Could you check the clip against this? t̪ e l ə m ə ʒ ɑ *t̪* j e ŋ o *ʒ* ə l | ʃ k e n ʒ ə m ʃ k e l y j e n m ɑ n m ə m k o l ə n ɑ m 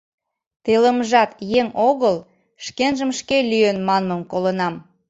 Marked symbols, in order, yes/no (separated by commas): yes, no